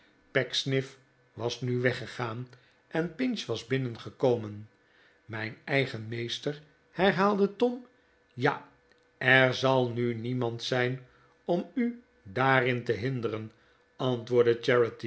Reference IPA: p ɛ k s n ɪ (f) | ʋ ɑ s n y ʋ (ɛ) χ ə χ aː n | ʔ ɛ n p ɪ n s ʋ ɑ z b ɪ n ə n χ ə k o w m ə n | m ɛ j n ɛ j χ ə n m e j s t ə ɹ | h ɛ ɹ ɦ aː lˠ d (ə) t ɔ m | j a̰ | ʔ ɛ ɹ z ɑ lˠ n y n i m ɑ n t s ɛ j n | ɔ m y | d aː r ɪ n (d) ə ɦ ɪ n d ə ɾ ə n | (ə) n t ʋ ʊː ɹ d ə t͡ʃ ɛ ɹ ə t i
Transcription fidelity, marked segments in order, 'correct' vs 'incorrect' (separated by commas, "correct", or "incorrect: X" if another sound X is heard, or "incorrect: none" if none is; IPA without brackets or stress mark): correct, correct, correct, incorrect: t, incorrect: ɑ